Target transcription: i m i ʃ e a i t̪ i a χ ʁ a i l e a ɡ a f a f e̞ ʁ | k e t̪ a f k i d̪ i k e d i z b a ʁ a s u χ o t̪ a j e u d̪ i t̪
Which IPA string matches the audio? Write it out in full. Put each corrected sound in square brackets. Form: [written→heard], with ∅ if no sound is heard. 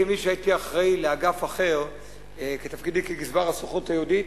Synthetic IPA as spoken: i m i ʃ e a i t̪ i a χ ʁ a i l e a ɡ a f a [f→χ] e̞ ʁ | k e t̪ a f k i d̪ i k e [d→ɡ] i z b a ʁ a s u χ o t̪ a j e u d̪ i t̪